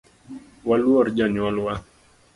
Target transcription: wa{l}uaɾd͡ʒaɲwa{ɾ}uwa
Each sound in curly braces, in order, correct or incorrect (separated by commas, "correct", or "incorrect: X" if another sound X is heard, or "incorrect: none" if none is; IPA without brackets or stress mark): correct, incorrect: l